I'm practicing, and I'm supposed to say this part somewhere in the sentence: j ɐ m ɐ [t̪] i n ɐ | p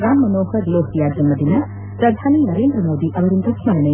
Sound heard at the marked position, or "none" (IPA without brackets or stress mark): d̪